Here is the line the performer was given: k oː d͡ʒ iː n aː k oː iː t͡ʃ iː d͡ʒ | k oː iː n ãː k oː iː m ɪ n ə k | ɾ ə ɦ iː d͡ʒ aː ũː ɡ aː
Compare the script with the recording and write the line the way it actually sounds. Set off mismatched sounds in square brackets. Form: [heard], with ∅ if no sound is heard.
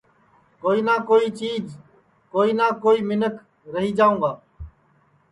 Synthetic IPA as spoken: k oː [∅] iː n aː k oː iː t͡ʃ iː d͡ʒ | k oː iː n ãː k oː iː m ɪ n ə k | ɾ ə ɦ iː d͡ʒ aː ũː ɡ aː